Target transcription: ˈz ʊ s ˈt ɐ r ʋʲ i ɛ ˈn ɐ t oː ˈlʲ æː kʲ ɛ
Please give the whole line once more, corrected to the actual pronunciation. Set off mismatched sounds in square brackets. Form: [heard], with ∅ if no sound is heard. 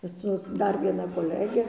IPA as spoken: [ˈs] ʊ s [ˈd] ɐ r ʋʲ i ɛ ˈn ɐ [k] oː ˈlʲ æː [ɡʲ] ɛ